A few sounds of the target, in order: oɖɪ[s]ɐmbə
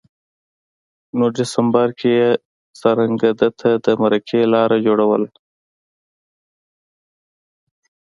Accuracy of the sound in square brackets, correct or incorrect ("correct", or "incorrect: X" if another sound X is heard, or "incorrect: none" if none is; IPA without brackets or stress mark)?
correct